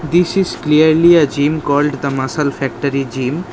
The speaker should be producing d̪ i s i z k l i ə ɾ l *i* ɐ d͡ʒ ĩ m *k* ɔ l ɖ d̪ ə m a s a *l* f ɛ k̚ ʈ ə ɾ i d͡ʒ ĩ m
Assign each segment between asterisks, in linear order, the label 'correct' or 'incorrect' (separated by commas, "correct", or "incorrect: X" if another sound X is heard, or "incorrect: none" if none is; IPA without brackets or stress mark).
correct, correct, correct